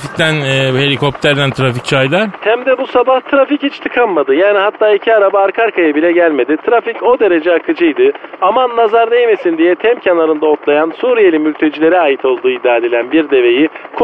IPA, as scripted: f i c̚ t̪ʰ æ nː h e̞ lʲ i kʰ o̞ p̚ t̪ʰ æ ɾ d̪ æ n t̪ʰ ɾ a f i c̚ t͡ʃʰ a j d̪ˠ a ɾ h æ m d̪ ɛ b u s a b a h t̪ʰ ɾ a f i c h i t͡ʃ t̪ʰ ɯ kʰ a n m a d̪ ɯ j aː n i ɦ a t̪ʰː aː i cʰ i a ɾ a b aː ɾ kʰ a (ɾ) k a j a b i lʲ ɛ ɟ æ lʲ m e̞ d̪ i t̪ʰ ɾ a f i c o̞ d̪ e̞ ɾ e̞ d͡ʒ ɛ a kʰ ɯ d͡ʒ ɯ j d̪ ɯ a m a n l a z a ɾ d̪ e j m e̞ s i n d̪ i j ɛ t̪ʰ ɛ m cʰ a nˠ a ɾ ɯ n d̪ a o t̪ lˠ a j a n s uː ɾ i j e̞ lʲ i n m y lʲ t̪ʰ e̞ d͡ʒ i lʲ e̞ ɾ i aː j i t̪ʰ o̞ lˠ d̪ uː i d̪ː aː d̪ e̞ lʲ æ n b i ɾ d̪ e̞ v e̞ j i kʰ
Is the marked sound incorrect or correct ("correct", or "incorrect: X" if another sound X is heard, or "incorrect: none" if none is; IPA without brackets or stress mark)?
correct